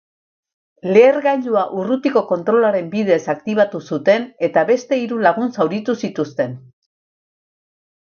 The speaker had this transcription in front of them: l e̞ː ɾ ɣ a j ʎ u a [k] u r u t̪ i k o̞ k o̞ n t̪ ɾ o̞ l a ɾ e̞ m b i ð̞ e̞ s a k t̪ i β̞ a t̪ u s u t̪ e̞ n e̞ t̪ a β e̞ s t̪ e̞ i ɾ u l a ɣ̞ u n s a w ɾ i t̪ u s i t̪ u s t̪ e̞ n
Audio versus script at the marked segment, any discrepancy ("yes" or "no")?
yes